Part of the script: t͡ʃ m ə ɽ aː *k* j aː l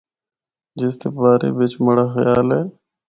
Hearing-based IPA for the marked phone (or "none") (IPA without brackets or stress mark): x